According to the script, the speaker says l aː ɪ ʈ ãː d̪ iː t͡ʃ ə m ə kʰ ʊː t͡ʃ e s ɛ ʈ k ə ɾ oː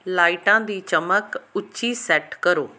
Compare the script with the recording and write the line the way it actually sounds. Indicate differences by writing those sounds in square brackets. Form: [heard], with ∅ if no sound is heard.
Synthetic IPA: l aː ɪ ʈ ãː d̪ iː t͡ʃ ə m ə [k] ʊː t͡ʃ [i] s ɛ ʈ k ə ɾ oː